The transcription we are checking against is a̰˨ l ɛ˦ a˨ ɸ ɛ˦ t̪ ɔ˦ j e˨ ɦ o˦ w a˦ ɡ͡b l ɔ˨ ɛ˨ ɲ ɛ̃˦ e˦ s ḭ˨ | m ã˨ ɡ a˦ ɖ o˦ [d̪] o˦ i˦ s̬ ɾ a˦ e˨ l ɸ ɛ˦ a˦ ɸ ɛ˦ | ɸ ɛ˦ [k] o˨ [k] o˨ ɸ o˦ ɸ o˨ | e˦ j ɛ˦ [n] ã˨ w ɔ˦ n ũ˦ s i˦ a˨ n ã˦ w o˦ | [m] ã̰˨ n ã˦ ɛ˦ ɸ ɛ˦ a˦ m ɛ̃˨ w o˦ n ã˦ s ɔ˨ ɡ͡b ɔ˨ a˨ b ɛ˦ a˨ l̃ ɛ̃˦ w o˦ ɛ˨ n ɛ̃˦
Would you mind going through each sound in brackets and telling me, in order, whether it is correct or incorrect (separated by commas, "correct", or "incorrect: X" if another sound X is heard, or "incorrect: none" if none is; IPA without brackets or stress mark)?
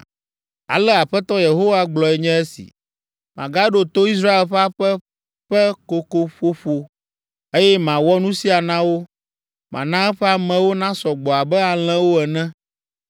incorrect: t̪, correct, correct, incorrect: m, correct